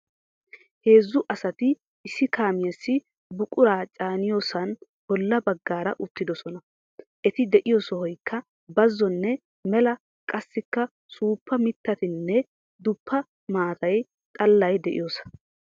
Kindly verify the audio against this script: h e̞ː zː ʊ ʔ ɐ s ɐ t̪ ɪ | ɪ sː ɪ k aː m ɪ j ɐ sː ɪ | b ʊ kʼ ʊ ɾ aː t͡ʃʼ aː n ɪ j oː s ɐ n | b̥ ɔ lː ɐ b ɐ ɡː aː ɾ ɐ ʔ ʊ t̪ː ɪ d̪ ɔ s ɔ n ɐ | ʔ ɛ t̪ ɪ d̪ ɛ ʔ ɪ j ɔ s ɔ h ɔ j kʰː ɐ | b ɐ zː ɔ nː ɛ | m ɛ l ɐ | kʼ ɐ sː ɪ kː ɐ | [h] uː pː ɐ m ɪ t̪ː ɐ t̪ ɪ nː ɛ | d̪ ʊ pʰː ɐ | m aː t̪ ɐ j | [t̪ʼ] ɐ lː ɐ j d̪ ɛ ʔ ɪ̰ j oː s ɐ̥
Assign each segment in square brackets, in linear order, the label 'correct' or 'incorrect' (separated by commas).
incorrect, correct